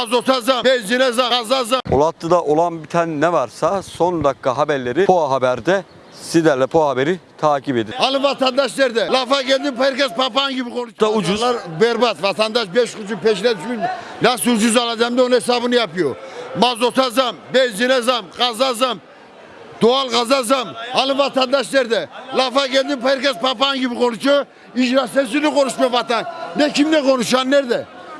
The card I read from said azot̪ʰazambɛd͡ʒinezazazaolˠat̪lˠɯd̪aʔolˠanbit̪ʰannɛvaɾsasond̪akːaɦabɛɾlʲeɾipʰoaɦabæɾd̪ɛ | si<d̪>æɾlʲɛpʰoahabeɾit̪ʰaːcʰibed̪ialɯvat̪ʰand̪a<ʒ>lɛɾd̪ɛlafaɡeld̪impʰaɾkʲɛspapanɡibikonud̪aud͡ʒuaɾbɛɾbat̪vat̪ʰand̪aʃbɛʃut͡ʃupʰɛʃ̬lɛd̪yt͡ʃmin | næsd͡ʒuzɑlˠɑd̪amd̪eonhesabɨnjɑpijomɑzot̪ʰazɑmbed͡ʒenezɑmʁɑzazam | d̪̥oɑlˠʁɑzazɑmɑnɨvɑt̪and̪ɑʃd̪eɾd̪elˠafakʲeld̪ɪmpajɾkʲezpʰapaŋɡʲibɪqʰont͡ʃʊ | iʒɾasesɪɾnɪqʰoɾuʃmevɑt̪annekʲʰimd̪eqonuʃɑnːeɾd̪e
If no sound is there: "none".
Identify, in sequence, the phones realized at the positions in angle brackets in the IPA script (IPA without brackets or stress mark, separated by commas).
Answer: d̪, ʃ